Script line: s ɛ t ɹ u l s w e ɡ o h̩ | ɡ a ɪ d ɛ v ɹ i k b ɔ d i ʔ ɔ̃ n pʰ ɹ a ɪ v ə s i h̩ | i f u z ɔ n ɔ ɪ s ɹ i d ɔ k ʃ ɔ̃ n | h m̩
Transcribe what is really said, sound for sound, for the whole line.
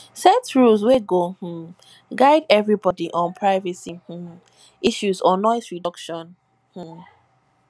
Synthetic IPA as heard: s ɛ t ɹ u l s w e ɡ o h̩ | ɡ a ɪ d ɛ v ɹ i b ɔ d i ʔ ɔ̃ n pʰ ɹ a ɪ v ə s i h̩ | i ʃ u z ɔ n ɔ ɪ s ɹ i d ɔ k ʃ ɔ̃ n | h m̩